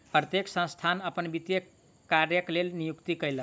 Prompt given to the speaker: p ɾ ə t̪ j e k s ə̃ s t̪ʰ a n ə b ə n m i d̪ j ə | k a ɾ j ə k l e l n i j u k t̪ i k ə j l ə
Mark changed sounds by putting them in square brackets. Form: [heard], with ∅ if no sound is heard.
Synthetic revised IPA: p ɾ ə t̪ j e k s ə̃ s t̪ʰ a n ə [p] ə n [b] i [t̪] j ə | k a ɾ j ə k l e l n i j u k t̪ i k ə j l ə

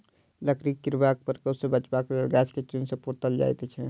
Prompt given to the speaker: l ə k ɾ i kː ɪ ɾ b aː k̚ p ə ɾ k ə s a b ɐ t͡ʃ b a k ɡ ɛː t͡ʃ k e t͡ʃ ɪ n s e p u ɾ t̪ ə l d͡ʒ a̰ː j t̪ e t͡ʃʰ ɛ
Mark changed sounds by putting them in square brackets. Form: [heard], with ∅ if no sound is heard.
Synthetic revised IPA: l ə k ɾ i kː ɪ ɾ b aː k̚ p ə ɾ k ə s [e] b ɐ t͡ʃ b a k ɡ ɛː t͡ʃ k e t͡ʃ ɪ n s e p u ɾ t̪ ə l d͡ʒ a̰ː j t̪ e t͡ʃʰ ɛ

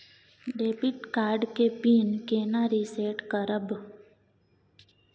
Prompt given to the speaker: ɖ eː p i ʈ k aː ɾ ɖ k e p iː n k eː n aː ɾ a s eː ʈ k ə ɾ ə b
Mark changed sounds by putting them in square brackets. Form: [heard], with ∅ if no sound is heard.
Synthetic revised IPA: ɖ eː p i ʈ k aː ɾ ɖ k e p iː n k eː n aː ɾ [i] s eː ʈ k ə ɾ ə b

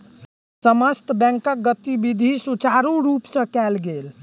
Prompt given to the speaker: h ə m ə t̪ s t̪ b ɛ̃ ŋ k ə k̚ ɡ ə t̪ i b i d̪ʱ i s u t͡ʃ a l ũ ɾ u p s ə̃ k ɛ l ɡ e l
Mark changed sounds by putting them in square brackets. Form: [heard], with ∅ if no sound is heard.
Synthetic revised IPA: [s] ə m ə [∅] s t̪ b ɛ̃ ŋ k ə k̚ ɡ ə t̪ i b i d̪ʱ i s u t͡ʃ a [ɾ] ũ ɾ u p s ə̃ k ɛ l ɡ e l

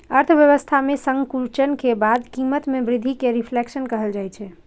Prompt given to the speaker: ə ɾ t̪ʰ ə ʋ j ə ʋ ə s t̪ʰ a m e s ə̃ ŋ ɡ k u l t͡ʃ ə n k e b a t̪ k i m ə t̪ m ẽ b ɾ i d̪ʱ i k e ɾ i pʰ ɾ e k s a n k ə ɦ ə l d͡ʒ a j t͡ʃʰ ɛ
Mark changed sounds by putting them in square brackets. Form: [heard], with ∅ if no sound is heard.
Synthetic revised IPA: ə ɾ t̪ʰ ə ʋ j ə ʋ ə s t̪ʰ a m e s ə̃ ŋ ɡ k u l t͡ʃ ə n k e b a [d̪] k i m ə t̪ m [e] b ɾ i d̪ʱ i k e ɾ i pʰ [l] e k s [ə] n k ə ɦ ə l d͡ʒ a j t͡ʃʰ ɛ

